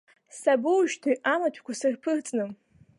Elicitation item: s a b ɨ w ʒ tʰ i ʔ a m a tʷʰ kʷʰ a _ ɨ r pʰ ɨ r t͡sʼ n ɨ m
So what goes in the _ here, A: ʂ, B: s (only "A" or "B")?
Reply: B